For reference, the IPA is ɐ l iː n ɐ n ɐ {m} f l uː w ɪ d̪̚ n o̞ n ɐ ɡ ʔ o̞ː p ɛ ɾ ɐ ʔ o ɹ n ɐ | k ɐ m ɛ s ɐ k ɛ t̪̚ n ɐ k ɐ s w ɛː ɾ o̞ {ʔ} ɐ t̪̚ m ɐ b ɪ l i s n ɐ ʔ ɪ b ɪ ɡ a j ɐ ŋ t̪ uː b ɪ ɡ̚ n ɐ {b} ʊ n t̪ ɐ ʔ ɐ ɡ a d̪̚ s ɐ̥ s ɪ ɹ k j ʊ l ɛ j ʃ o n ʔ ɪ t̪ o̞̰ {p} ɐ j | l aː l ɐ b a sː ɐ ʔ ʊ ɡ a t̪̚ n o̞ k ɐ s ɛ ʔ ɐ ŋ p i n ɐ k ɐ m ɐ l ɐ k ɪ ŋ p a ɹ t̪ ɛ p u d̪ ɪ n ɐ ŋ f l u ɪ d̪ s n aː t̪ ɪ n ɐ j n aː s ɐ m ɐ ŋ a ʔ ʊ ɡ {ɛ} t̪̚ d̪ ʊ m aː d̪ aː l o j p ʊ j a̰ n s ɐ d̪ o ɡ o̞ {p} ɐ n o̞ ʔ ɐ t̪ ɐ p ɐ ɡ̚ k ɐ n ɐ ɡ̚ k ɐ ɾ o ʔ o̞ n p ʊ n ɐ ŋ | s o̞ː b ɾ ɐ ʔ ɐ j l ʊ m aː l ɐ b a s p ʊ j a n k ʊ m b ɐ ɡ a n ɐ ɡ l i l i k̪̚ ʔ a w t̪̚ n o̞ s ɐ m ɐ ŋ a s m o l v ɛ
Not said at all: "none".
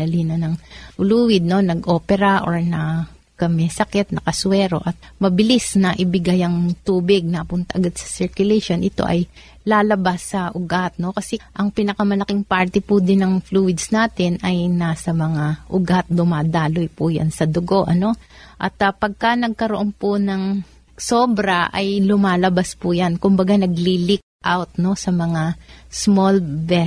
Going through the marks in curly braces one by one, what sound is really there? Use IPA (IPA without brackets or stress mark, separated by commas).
ŋ, ʔ, p, ʔ, a, ʔ